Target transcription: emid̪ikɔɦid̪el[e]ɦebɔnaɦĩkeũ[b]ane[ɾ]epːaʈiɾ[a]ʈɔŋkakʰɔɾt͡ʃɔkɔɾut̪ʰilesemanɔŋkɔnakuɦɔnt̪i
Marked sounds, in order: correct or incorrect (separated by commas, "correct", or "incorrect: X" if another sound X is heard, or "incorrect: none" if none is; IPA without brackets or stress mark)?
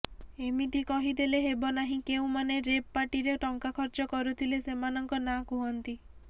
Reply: correct, incorrect: m, correct, incorrect: e